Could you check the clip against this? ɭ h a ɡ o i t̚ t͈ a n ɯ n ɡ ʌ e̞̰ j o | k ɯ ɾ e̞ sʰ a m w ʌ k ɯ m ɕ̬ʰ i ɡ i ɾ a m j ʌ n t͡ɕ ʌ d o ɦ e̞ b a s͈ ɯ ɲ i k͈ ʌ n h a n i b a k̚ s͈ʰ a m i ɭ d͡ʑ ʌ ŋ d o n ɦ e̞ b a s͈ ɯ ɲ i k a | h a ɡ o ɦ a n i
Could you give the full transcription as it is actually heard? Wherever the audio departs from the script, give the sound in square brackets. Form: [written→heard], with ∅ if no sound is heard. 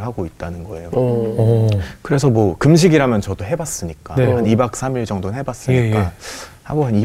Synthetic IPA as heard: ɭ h a ɡ o i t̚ t͈ a n ɯ n ɡ ʌ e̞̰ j o | k ɯ ɾ e̞ sʰ [a→ʌ] m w ʌ k ɯ m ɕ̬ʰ i ɡ i ɾ a m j ʌ n t͡ɕ ʌ d o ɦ e̞ b a s͈ ɯ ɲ i k͈ [ʌ→a] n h a n i b a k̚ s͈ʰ a m i ɭ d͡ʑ ʌ ŋ d o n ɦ e̞ b a s͈ ɯ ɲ i k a | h a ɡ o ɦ a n i